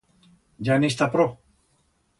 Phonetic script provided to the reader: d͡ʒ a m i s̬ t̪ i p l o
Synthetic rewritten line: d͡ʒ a n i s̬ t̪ a p ɾ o